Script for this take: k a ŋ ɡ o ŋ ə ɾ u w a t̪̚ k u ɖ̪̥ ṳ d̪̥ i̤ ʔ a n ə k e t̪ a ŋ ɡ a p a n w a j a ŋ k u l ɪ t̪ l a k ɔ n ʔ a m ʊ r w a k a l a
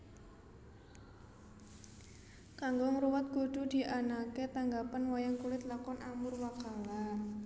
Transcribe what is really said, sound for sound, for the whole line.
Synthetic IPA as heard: k a ŋ ɡ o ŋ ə ɾ u w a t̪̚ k u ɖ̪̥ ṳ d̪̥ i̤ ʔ a n a k e t̪ a ŋ ɡ a p a n w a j a ŋ k u l ɪ t̪ l a k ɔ n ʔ a m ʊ r w a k a l a